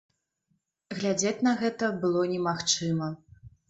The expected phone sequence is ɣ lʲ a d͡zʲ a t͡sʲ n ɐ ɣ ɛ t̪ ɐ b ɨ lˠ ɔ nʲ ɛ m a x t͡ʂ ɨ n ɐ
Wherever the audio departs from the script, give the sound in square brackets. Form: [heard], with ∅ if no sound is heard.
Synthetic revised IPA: ɣ lʲ a d͡zʲ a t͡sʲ n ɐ ɣ ɛ t̪ ɐ b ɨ lˠ ɔ nʲ ɛ m a x t͡ʂ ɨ [m] ɐ